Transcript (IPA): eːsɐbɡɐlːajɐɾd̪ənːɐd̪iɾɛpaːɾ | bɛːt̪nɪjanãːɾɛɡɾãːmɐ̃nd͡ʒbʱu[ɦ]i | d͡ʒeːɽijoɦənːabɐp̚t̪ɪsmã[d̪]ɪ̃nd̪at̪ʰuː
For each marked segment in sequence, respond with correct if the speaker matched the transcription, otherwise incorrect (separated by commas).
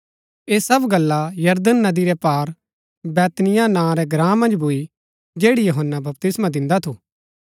incorrect, correct